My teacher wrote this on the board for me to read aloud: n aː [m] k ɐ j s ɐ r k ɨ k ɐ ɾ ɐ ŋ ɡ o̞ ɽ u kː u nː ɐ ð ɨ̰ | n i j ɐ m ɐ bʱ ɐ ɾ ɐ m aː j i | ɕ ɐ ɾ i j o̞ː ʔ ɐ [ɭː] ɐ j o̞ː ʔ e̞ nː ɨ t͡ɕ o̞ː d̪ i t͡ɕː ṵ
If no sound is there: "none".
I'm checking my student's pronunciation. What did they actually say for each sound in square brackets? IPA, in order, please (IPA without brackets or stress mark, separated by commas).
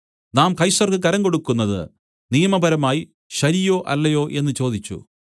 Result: m, lː